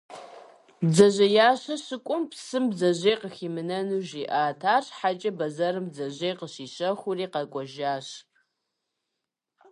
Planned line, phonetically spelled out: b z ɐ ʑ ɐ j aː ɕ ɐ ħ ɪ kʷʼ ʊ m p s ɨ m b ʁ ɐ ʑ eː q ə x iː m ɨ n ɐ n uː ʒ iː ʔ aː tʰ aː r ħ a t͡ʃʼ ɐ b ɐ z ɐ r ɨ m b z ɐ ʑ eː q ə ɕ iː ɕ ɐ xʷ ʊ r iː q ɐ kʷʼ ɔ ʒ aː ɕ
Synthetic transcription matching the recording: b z ɐ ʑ ɐ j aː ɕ ɐ ɕ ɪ kʷʼ ʊ m p s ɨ m b z ɐ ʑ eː q ə x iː m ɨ n ɐ n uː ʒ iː ʔ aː tʰ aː r ħ a t͡ʃʼ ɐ b ɐ z ɐ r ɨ m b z ɐ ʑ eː q ə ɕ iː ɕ ɐ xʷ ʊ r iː q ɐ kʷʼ ɔ ʒ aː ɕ